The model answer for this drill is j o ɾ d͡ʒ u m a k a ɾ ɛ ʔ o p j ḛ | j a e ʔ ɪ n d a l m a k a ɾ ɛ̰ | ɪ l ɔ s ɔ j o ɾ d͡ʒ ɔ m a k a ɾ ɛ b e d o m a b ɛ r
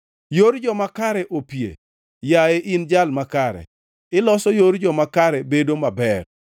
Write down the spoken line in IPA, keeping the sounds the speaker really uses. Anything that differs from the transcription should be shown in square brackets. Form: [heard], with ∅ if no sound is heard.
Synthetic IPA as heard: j o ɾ d͡ʒ [ɔ] m a k a ɾ ɛ ʔ o p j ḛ | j a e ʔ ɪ n [d͡ʒ] a l m a k a ɾ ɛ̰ | ɪ l ɔ s ɔ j o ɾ d͡ʒ ɔ m a k a ɾ ɛ b e d o m a b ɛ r